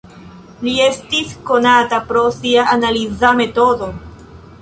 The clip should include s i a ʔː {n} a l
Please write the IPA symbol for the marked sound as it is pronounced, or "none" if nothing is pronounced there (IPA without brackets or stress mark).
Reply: n